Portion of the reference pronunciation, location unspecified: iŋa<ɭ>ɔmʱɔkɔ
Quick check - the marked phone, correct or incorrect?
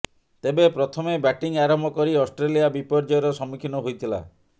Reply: incorrect: ɾ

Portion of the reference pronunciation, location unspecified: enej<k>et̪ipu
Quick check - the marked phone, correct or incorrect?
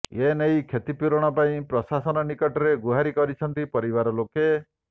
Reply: incorrect: kʰ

